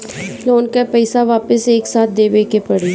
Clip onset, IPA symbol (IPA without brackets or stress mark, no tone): l